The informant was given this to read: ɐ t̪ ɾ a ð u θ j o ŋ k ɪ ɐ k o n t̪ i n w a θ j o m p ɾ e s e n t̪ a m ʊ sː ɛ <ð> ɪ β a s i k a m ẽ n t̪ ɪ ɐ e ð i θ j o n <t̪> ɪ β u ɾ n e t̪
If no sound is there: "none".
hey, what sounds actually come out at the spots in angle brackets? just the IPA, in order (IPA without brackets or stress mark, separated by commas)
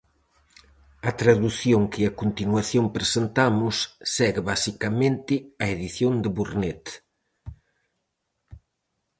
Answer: ɣ, d̪